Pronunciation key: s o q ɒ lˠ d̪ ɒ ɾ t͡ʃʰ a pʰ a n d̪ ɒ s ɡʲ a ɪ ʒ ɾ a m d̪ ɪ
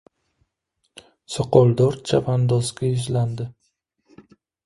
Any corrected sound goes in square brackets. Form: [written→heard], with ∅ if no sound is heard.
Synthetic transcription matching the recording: s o q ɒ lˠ d̪ ɒ ɾ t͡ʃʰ a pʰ a n d̪ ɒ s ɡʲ a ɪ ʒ [ɾ→l] a [m→n] d̪ ɪ